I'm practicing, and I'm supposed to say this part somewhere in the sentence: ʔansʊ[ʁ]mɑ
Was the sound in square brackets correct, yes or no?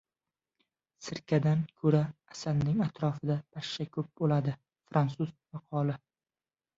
no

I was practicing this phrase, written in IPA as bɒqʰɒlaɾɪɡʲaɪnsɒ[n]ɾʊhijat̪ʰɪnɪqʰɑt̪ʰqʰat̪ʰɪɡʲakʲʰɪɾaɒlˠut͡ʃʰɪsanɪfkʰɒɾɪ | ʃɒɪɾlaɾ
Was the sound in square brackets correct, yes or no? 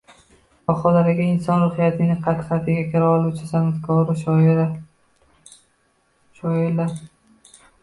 yes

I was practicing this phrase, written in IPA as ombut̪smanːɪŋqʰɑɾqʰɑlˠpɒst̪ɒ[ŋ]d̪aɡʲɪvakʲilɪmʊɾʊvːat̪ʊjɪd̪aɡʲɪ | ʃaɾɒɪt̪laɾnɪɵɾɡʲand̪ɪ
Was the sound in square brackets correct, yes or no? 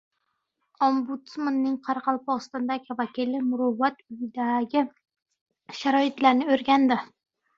no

